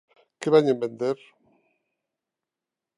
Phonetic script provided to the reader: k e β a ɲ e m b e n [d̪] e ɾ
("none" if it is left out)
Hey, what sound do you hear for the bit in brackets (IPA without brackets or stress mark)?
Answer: d̪